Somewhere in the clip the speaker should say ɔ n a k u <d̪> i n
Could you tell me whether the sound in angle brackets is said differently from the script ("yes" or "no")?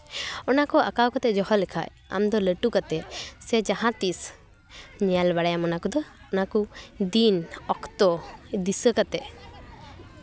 no